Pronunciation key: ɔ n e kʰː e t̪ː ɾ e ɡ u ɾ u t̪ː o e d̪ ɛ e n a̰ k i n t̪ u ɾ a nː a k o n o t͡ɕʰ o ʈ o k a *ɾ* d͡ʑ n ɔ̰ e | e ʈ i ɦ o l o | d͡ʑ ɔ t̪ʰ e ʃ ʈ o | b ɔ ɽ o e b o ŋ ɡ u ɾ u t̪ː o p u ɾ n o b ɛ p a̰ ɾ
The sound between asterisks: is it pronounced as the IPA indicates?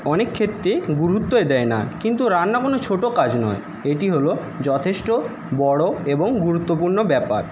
no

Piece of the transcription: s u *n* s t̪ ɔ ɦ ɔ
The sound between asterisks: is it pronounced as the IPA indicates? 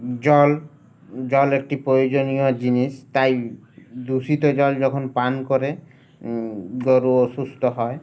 no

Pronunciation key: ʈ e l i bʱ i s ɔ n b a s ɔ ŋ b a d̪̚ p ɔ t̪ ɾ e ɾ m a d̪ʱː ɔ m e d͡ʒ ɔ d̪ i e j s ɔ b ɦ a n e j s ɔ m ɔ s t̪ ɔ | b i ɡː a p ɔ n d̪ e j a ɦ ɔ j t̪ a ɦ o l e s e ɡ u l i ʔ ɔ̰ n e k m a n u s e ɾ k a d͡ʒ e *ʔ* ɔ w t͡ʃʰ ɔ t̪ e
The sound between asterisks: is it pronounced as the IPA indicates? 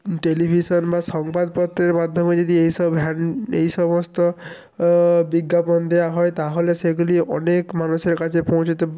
no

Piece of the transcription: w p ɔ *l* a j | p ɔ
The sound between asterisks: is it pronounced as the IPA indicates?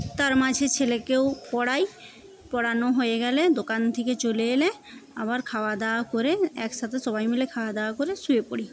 no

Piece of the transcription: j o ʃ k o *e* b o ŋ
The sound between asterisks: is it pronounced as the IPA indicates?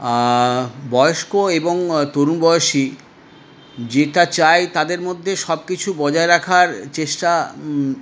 yes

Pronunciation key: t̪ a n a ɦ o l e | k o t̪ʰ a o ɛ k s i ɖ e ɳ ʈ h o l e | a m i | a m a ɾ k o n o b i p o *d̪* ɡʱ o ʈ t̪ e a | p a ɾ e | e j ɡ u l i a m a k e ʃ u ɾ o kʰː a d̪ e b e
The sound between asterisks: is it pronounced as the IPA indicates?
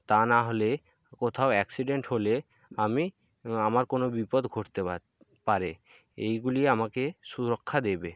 yes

